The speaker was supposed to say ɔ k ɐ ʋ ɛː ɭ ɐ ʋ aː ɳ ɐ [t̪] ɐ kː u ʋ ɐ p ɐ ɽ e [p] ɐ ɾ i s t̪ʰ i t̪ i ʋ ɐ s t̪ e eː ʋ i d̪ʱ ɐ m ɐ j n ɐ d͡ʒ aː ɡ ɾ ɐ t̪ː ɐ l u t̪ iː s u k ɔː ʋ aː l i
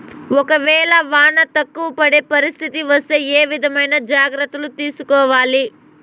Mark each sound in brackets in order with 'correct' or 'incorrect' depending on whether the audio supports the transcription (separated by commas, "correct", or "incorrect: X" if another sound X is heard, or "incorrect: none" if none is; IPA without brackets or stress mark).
correct, correct